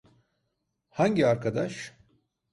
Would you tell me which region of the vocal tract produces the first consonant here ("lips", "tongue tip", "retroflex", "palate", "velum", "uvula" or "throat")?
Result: throat